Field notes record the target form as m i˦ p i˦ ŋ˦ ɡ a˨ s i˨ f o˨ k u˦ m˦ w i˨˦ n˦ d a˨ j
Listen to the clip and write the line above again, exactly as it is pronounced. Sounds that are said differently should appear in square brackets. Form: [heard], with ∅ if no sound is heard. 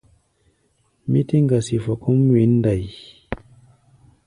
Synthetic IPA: m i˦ [t] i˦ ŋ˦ ɡ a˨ s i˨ f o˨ k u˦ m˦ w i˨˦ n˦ d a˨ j

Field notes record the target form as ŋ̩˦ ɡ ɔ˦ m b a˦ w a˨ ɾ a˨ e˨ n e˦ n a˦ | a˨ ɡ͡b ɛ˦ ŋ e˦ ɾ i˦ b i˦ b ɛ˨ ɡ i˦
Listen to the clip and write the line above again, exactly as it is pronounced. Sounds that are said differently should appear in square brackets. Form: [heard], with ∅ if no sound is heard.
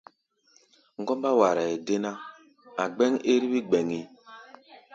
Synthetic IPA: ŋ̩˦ ɡ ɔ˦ m b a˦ w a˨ ɾ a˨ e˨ [d] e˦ n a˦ | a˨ ɡ͡b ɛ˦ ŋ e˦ ɾ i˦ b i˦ [ɡ͡b] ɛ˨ [ŋ] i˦

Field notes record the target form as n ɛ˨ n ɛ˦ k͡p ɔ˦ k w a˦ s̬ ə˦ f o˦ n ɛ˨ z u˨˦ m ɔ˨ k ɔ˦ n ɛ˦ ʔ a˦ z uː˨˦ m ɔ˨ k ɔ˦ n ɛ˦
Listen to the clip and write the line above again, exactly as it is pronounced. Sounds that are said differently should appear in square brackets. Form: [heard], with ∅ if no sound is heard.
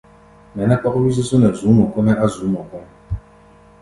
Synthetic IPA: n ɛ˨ n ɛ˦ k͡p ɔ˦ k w [i˦] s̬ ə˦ [s] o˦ n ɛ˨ z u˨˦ m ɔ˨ k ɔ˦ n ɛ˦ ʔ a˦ z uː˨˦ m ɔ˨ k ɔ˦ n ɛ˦

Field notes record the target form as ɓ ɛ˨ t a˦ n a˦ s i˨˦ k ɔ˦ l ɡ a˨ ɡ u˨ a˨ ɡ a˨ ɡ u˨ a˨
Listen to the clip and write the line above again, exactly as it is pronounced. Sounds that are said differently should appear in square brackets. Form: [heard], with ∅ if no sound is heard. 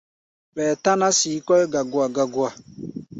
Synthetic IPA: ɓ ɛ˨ t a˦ n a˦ s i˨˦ k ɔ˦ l ɡ a˨ ɡ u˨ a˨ ɡ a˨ ɡ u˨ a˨

